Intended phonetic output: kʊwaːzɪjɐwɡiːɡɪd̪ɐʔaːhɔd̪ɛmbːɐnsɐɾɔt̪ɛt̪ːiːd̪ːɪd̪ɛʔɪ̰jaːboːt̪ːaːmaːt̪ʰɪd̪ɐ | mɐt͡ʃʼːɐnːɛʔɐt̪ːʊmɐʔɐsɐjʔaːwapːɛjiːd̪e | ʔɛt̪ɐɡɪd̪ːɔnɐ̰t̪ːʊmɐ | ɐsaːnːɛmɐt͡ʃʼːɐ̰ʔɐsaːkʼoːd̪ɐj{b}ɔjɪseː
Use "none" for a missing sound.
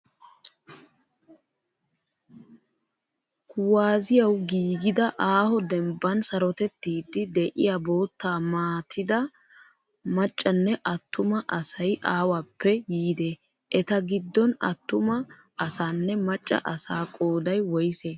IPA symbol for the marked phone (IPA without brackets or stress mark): w